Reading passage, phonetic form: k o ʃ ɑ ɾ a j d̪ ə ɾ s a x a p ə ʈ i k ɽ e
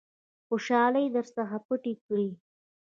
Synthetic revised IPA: x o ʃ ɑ l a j d̪ ə ɾ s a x a p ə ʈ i k ɽ i